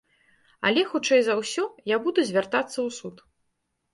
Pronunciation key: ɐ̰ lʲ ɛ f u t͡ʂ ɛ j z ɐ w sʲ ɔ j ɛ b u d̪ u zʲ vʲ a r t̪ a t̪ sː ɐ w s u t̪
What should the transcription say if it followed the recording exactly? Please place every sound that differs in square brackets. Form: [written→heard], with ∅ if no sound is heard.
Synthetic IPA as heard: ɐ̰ lʲ ɛ [f→x] u t͡ʂ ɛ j z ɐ w sʲ ɔ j [ɛ→a] b u d̪ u zʲ vʲ a r t̪ a t̪ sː ɐ w s u t̪